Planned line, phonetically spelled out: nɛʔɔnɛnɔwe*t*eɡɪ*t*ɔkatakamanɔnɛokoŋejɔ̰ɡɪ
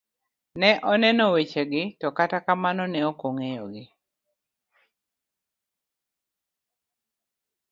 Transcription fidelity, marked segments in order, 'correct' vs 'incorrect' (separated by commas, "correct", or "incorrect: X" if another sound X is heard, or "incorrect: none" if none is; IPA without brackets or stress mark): incorrect: t͡ʃ, correct